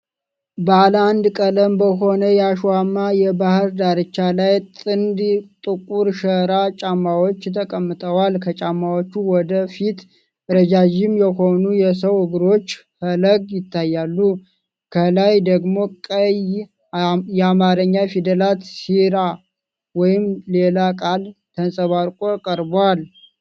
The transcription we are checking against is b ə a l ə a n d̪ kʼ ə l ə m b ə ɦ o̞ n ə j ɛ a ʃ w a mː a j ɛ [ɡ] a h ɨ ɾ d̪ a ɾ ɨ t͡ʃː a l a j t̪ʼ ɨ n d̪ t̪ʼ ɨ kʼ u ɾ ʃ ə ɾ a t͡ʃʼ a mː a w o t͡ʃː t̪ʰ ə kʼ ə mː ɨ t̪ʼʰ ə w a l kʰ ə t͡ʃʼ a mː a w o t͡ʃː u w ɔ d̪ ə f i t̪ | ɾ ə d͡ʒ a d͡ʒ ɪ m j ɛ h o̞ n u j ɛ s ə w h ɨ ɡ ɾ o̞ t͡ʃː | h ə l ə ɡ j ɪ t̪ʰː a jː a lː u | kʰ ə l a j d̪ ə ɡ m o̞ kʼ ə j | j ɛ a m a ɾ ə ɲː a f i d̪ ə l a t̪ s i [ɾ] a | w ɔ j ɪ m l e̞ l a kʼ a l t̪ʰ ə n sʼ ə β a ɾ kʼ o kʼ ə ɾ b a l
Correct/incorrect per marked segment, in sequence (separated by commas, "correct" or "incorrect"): incorrect, correct